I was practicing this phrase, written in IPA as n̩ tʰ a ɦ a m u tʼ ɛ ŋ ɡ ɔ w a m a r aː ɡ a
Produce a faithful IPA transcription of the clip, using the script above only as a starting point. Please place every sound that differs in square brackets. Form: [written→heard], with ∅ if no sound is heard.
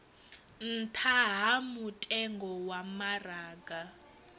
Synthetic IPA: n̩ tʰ a ɦ a m u tʼ ɛ ŋ ɡ ɔ w a m a r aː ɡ a